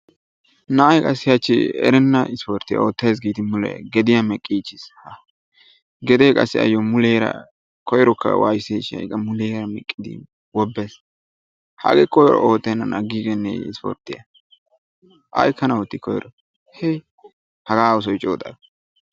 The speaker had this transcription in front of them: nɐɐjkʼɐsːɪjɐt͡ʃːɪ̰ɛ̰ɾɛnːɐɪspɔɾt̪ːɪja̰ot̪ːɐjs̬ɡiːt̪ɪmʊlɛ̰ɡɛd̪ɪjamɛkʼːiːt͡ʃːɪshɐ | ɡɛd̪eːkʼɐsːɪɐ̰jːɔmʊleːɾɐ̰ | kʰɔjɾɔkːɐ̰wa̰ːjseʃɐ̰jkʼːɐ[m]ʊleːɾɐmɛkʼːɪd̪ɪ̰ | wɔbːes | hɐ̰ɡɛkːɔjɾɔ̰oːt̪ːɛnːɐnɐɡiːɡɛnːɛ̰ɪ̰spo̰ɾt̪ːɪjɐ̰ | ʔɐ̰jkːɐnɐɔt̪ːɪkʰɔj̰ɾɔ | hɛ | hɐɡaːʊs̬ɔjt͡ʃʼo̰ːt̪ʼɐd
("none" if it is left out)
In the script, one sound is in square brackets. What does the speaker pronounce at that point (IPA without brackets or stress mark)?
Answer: m